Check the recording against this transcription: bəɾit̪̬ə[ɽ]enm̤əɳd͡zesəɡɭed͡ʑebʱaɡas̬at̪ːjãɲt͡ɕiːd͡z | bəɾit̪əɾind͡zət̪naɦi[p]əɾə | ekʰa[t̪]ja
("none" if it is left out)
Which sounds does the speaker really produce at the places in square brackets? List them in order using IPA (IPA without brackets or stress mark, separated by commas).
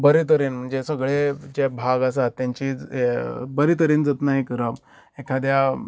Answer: ɾ, k, d̪